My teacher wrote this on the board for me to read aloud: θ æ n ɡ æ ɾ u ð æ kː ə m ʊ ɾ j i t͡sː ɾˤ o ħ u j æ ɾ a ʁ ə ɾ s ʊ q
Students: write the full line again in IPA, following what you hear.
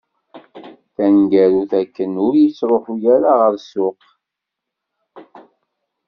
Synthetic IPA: θ æ n ɡ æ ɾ u θ æ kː ə n ʊ ɾ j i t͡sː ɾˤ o ħ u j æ ɾ a ʁ ə ɾ s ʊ q